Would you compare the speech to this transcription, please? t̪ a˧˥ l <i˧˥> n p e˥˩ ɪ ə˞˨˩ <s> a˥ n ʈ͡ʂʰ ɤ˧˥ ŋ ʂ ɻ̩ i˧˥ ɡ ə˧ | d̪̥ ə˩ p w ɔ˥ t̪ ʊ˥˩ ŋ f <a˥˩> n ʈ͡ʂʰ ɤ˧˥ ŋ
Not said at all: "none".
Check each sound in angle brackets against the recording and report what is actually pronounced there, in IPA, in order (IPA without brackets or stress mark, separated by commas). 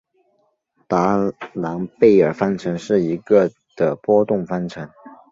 a˧˥, f, a˥